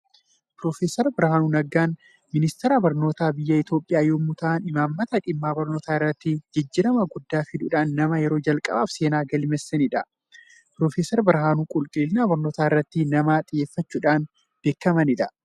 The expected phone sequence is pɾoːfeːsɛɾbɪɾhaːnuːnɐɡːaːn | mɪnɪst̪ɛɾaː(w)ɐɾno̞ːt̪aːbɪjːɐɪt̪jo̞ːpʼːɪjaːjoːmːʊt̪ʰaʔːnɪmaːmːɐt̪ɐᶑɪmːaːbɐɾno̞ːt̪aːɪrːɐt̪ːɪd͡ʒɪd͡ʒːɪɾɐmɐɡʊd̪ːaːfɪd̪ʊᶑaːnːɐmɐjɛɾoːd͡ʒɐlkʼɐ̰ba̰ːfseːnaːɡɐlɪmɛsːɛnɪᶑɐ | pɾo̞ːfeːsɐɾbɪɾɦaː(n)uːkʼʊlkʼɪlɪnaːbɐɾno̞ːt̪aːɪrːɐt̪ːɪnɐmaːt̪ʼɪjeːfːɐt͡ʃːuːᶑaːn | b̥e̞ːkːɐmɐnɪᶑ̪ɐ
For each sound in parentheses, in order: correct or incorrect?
incorrect, correct

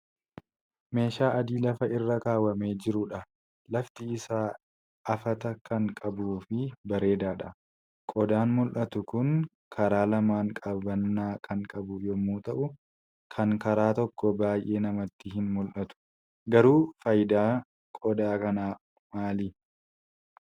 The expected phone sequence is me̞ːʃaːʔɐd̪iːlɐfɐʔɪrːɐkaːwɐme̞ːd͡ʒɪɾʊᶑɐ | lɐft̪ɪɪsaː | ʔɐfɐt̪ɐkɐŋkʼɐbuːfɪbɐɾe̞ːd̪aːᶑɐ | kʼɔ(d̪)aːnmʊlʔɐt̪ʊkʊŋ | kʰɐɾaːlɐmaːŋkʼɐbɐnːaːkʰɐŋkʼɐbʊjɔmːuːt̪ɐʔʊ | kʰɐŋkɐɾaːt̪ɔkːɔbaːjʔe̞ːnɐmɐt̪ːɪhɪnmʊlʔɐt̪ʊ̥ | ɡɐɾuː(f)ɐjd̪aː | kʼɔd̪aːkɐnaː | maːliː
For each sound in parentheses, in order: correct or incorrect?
correct, correct

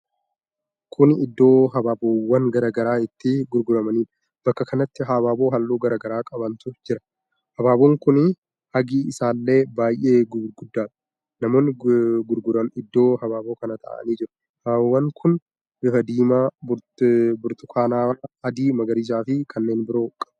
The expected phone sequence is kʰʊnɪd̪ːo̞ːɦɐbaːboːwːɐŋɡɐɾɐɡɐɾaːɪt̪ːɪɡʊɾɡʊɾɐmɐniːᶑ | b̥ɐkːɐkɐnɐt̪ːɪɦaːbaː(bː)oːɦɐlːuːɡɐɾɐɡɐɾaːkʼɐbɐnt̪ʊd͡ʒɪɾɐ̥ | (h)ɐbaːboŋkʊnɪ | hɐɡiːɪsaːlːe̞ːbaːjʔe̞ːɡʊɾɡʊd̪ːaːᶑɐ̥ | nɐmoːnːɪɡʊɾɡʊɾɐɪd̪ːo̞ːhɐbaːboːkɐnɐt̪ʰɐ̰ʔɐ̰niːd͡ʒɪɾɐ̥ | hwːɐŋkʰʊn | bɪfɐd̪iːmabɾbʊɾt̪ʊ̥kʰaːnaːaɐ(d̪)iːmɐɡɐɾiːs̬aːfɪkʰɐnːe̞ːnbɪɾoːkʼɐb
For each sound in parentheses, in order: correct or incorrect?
incorrect, correct, correct

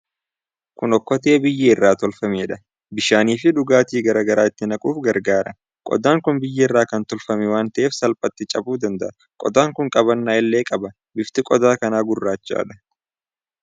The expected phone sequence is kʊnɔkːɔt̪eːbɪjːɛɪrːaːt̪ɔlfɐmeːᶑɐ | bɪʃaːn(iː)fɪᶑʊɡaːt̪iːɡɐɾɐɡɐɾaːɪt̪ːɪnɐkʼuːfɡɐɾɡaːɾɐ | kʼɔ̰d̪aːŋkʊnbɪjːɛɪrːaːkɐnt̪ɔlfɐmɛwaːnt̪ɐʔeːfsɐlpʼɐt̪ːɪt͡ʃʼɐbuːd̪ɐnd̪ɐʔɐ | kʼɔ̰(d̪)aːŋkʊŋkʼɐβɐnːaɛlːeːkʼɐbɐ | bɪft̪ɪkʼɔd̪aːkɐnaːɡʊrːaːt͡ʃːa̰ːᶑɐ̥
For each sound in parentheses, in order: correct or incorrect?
correct, correct

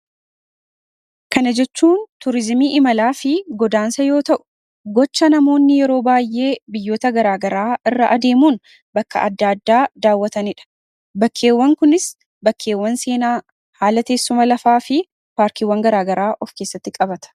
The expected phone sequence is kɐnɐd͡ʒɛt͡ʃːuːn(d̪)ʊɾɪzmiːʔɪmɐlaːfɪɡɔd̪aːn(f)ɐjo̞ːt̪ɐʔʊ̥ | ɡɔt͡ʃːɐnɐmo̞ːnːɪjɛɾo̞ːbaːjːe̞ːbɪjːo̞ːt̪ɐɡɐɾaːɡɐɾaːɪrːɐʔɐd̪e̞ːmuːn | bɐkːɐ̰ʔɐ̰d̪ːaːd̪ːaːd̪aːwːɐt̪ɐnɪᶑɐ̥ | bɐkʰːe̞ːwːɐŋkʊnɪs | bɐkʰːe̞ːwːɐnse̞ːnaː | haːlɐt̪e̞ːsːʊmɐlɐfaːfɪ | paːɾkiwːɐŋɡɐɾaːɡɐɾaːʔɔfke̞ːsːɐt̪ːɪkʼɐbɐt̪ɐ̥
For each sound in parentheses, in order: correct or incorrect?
incorrect, incorrect

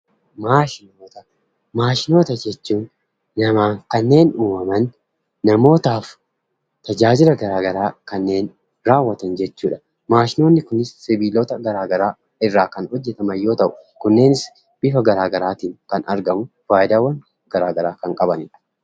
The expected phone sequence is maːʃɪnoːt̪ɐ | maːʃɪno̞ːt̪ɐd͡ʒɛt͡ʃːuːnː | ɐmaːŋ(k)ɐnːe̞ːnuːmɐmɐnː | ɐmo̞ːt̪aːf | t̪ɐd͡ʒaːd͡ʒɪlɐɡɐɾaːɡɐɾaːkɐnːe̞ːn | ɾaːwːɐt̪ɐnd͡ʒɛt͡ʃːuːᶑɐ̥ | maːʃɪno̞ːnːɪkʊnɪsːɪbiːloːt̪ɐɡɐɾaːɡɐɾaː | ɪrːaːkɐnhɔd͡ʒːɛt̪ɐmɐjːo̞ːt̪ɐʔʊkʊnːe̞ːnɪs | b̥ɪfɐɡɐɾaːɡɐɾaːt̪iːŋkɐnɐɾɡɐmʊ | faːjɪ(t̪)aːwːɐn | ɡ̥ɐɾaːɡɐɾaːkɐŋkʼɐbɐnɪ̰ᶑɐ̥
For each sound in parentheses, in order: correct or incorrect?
correct, incorrect

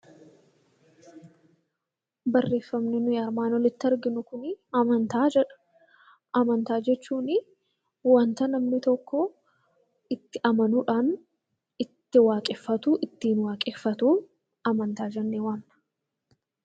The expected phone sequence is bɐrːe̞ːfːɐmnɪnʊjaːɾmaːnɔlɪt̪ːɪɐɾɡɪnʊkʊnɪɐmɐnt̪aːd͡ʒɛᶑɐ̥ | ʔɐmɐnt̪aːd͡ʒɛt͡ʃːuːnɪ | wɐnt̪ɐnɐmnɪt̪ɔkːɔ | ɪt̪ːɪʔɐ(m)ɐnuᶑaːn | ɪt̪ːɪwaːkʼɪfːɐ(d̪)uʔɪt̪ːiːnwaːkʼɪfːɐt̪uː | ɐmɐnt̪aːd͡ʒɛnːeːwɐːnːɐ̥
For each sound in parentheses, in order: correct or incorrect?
correct, incorrect

